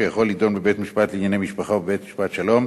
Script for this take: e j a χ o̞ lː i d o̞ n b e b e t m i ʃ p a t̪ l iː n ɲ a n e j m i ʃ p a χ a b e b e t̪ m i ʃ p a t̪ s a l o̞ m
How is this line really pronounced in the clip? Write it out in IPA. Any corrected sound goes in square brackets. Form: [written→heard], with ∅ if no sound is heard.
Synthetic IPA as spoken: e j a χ o̞ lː i d o̞ n b e b e t m i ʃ p a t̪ l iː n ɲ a n e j m i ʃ p a χ a b e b e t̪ m i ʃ p a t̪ [s→ʃ] a l o̞ m